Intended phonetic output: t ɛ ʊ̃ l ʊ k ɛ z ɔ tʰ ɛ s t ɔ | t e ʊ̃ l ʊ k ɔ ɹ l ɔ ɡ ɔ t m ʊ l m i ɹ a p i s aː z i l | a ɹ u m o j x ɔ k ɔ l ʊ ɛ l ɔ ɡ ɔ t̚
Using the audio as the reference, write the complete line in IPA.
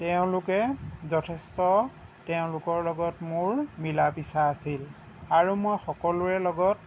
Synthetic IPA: t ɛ ʊ̃ l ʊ k ɛ z ɔ tʰ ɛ s t ɔ | t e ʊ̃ l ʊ k ɔ ɹ l ɔ ɡ ɔ t m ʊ ɹ m i l a p i s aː s i l | a ɹ u m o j x ɔ k ɔ l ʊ ɛ l ɔ ɡ ɔ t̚